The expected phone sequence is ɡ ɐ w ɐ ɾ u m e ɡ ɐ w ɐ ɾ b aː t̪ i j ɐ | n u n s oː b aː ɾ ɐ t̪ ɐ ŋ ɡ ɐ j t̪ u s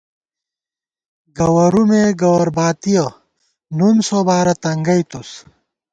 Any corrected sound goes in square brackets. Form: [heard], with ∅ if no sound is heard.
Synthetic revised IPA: ɡ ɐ w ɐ ɾ u m e ɡ ɐ w ɐ ɾ b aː t̪ i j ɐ | n u n s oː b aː ɾ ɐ t̪ ɐ ŋ ɡ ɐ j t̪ u s

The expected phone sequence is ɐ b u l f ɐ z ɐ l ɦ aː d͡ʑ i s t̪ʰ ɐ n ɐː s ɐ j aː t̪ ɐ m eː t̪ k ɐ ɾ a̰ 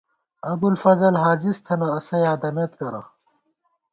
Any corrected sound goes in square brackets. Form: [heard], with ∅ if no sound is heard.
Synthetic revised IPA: ɐ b u l f ɐ z ɐ l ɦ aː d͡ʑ i s t̪ʰ ɐ n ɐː s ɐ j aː [d̪] ɐ m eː t̪ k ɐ ɾ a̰

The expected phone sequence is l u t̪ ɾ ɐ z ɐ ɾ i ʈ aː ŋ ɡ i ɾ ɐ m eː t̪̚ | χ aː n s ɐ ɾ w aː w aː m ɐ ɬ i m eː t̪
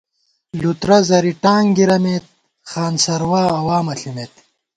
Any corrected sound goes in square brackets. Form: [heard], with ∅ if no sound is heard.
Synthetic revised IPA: l u t̪ ɾ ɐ z ɐ ɾ i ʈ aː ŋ ɡ i ɾ ɐ m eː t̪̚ | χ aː n s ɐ ɾ w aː w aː m ɐ ɬ i m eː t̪

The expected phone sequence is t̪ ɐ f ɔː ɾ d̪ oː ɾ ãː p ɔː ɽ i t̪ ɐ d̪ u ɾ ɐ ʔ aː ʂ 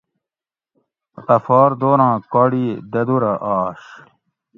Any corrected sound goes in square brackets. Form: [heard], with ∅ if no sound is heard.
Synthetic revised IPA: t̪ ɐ f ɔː ɾ d̪ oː ɾ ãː [k] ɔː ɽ i [d̪] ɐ d̪ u ɾ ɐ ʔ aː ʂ

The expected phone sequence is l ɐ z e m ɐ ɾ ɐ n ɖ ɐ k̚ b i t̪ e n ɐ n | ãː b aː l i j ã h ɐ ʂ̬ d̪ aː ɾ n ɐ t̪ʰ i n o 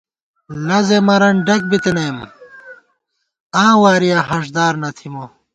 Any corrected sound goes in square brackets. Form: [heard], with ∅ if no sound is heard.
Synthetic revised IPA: l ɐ z e m ɐ ɾ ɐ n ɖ ɐ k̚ b i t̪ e n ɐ [m] | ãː [w] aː [ɾ] i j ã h ɐ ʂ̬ d̪ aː ɾ n ɐ t̪ʰ i [m] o

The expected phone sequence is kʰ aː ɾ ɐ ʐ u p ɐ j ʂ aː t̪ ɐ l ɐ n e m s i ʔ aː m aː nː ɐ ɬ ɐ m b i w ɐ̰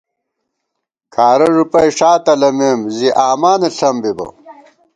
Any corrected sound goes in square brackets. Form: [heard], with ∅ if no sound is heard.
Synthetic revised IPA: kʰ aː ɾ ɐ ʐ u p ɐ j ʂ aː t̪ ɐ l ɐ [m] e m [z] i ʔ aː m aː [n] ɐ ɬ ɐ m b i [b] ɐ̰

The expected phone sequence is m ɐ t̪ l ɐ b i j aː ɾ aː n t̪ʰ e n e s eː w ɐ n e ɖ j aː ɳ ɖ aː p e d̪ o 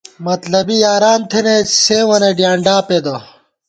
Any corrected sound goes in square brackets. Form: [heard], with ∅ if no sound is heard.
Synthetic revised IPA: m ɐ t̪ l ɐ b i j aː ɾ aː n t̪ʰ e n e s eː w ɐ n e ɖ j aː ɳ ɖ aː p e d̪ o

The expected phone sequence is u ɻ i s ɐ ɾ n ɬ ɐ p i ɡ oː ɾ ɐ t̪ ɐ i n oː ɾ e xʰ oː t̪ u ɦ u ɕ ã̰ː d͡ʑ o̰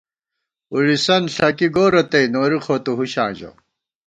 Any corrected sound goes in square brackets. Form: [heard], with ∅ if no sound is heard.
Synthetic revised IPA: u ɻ i s ɐ [∅] n ɬ ɐ [k] i ɡ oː ɾ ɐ t̪ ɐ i n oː ɾ [i] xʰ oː t̪ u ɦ u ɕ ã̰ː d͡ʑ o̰

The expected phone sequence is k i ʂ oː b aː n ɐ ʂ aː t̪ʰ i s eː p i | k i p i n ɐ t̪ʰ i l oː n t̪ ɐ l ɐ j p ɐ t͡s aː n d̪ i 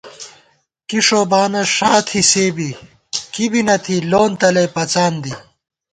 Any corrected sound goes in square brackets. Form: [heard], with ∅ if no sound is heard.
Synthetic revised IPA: k i ʂ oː b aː n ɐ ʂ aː t̪ʰ i s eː [b] i | k i [b] i n ɐ t̪ʰ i l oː n t̪ ɐ l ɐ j p ɐ t͡s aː n d̪ i

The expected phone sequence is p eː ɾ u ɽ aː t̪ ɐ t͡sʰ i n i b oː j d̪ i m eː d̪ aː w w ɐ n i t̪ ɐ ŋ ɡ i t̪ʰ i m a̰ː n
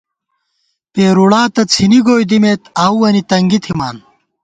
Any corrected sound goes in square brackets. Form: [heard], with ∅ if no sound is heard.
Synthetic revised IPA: p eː ɾ u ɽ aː t̪ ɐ t͡sʰ i n i [ɡ] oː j d̪ i m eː [t̪] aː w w ɐ n i t̪ ɐ ŋ ɡ i t̪ʰ i m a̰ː n

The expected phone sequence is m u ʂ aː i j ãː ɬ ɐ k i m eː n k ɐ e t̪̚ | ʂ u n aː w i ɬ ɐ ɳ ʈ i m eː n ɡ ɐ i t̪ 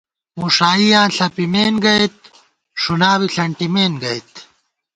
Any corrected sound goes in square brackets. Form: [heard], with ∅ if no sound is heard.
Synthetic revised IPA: m u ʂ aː i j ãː ɬ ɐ [p] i m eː n [ɡ] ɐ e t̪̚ | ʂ u n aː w i ɬ ɐ ɳ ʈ i m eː n ɡ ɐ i t̪

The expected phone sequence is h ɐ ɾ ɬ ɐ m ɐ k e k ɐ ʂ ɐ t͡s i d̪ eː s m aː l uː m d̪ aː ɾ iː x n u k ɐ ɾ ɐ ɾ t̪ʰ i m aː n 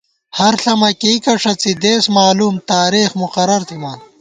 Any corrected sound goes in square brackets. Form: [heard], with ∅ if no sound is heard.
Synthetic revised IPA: h ɐ ɾ ɬ ɐ m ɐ k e k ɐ ʂ ɐ t͡s i d̪ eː s m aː l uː m [t̪] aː ɾ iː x [m] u [q] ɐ ɾ ɐ ɾ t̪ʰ i m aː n

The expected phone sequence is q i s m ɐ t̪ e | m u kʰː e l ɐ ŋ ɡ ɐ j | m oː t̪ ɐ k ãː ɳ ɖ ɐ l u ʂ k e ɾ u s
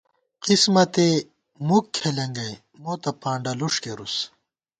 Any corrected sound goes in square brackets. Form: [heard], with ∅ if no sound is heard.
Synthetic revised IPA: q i s m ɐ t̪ e | m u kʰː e l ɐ ŋ ɡ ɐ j | m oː t̪ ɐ [p] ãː ɳ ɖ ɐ l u ʂ k e ɾ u s

